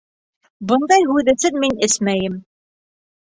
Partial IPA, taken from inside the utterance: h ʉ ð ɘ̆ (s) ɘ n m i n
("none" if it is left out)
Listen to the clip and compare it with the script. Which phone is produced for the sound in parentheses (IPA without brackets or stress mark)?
s